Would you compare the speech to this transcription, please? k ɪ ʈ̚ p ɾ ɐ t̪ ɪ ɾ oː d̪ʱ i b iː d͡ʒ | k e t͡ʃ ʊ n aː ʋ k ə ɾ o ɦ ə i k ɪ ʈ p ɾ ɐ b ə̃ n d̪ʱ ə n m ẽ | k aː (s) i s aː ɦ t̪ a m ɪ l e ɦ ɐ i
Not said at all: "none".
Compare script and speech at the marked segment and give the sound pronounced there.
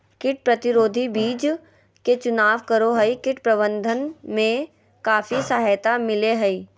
f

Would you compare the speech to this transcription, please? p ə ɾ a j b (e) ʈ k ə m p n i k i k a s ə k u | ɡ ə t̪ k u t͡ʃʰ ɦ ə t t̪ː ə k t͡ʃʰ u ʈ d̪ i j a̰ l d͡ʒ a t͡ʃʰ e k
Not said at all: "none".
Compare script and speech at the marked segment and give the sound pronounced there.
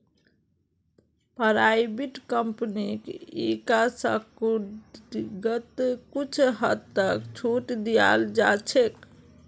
i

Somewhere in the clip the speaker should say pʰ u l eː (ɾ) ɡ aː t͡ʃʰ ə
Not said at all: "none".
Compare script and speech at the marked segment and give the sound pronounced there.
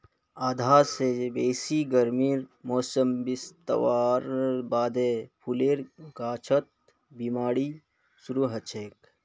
ɾ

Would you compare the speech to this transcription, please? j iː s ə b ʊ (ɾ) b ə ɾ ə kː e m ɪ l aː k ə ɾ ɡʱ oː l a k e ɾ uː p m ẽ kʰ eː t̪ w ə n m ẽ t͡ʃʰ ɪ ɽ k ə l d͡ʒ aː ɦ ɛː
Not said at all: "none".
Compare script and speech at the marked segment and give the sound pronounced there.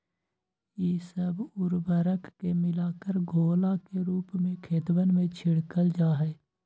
ɾ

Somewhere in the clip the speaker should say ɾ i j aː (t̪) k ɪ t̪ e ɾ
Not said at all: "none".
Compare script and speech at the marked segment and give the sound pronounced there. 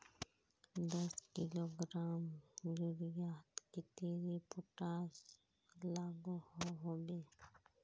t̪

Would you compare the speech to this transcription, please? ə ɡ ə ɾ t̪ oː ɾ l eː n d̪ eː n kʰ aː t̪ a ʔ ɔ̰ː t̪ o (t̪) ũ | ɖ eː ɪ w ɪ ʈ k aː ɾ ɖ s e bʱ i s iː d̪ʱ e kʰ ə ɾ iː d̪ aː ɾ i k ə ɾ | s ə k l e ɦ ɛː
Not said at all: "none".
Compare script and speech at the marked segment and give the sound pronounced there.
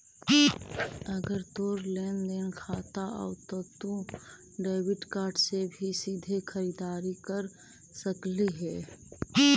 t̪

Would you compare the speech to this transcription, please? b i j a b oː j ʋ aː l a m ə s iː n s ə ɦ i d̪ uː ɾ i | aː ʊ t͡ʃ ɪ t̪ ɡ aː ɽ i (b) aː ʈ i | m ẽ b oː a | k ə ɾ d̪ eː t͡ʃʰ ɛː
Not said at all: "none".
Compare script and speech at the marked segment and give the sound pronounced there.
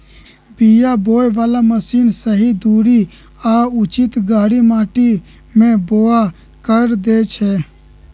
m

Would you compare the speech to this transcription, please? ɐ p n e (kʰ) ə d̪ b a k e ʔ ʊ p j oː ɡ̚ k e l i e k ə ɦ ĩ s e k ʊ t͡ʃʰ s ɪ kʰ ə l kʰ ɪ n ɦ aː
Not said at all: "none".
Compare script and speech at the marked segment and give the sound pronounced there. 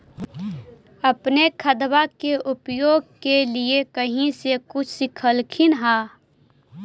kʰ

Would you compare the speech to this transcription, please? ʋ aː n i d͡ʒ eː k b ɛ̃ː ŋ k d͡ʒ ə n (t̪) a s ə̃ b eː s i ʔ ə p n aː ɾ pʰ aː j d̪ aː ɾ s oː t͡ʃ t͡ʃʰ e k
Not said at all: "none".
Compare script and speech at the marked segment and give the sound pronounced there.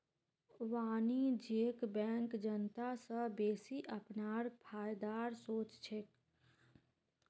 t̪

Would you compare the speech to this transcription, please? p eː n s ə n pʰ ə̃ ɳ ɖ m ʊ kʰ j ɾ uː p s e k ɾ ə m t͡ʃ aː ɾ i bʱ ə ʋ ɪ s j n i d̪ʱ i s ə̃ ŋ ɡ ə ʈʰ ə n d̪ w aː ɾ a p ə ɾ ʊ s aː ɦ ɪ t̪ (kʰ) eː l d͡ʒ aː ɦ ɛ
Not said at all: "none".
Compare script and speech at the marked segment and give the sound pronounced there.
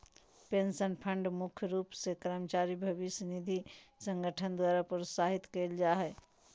k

